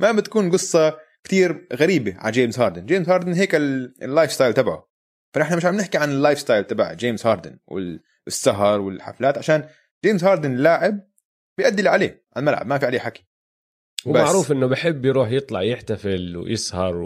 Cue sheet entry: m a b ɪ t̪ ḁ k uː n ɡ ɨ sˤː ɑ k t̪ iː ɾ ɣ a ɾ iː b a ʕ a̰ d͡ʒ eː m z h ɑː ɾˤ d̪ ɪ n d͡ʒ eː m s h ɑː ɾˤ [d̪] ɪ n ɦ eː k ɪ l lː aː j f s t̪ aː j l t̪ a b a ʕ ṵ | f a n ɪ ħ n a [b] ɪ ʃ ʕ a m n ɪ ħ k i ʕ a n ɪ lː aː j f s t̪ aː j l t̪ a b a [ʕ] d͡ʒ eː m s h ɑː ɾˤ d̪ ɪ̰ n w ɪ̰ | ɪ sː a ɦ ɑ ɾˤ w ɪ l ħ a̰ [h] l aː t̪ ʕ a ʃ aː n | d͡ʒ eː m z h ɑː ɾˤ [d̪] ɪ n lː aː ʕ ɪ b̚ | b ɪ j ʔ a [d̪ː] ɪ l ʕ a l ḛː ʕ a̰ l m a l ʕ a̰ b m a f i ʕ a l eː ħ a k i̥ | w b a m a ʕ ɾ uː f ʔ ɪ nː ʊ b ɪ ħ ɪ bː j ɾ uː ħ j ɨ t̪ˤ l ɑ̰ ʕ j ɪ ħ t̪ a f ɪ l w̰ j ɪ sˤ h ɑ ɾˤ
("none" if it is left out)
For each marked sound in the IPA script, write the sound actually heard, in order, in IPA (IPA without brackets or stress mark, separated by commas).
d̪, m, ʕ, f, d̪, d̪ː